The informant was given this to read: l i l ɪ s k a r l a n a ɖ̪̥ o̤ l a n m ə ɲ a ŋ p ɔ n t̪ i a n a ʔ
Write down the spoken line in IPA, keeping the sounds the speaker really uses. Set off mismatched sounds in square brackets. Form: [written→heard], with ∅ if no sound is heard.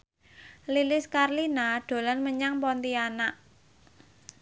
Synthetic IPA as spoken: l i l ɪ s k a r l [a→i] n a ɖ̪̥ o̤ l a n m ə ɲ a ŋ p ɔ n t̪ i a n a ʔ